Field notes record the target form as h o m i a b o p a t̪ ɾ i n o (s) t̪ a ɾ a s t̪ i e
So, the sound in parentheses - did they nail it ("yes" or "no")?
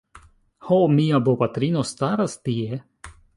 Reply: yes